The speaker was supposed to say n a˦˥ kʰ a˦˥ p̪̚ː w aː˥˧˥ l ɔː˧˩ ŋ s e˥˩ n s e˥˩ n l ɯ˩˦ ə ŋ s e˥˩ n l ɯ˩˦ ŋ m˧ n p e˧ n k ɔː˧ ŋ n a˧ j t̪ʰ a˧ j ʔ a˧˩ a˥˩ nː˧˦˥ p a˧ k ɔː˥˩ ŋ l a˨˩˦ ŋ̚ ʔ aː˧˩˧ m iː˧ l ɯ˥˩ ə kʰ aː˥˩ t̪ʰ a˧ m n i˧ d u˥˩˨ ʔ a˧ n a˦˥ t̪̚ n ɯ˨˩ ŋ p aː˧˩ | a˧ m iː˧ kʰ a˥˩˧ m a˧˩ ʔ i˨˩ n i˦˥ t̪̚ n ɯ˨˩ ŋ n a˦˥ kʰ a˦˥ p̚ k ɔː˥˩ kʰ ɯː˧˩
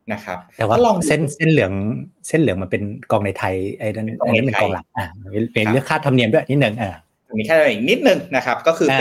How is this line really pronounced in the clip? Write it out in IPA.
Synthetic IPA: n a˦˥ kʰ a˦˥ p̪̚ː w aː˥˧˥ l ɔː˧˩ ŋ s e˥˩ n s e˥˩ n l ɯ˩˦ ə ŋ s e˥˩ n l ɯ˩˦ ŋ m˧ n p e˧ n k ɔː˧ ŋ n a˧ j t̪ʰ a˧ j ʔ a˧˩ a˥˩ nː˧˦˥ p e˧ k ɔː˧ ŋ l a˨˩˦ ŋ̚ ʔ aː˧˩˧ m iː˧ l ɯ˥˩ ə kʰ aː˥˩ t̪ʰ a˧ m n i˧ d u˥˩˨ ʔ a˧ n i˦˥ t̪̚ n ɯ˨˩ ŋ ʔ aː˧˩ | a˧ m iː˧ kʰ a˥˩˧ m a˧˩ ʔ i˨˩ n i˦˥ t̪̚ n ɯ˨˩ ŋ n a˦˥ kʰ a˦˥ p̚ k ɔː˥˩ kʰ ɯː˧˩